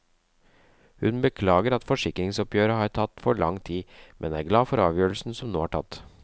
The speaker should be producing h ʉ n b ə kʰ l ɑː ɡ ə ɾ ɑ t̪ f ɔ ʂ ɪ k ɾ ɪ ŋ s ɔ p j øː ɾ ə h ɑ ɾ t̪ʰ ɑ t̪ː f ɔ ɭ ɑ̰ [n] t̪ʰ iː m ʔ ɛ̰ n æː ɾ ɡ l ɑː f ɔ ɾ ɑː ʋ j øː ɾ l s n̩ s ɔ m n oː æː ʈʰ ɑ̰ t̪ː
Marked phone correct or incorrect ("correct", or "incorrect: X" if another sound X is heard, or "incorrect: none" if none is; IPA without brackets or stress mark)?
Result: incorrect: ŋ